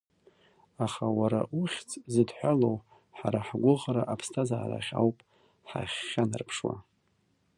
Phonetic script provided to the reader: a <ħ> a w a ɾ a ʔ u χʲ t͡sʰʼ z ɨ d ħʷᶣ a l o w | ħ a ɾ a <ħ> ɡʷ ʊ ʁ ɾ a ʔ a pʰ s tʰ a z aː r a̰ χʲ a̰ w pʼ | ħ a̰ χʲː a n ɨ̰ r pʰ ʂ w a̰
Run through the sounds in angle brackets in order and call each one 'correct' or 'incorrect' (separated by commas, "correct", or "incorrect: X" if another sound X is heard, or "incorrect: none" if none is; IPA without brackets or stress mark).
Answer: incorrect: χ, correct